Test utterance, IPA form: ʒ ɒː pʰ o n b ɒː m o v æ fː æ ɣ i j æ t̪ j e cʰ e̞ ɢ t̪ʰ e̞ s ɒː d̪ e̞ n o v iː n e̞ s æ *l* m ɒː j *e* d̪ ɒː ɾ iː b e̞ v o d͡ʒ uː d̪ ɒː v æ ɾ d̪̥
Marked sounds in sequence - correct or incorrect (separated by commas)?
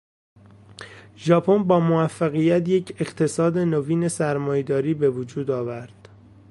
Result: incorrect, correct